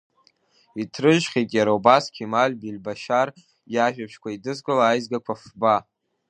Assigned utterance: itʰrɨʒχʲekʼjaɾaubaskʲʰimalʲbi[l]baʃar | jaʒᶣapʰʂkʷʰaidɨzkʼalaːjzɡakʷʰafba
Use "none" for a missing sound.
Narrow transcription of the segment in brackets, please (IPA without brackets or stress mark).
l